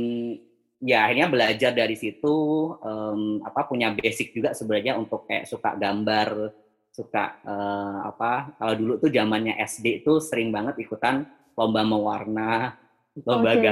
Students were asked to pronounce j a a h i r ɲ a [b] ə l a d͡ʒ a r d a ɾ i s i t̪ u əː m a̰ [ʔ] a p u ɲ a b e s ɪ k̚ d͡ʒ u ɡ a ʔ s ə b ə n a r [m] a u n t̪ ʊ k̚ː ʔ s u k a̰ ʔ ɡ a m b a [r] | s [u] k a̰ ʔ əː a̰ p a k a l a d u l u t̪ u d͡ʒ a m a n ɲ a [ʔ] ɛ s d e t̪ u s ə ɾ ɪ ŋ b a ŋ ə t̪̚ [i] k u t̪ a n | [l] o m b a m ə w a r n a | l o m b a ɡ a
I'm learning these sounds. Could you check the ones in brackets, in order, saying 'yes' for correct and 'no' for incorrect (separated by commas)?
yes, no, no, yes, yes, yes, yes, yes